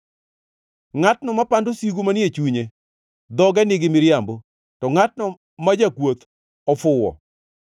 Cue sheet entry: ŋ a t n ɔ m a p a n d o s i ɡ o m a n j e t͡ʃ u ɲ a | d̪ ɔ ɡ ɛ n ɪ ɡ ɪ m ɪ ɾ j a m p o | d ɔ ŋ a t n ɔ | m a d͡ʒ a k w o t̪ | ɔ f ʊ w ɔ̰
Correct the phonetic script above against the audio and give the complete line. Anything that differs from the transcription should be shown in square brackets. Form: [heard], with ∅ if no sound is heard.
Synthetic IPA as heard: ŋ a t n ɔ m a p a n d o s i ɡ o m a n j e t͡ʃ u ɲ [e] | d̪ ɔ ɡ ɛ n ɪ ɡ ɪ m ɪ ɾ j a m [b] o | [t] ɔ ŋ a t n ɔ | m a d͡ʒ a k w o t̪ | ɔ f ʊ w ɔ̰